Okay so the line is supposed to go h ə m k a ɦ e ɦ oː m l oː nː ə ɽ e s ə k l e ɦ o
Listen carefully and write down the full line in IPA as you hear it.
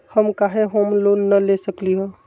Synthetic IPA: h ə m k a ɦ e ɦ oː m l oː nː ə l e s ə k l i ɦ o